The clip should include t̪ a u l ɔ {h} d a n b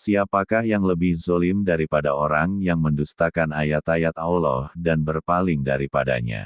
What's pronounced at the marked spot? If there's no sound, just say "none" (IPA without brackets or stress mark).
h